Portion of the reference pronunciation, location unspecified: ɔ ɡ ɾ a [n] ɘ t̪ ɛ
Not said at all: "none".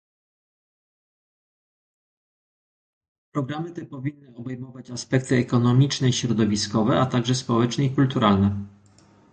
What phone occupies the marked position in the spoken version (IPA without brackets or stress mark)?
m